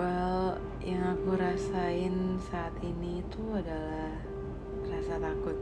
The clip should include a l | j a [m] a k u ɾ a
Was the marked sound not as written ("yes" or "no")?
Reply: yes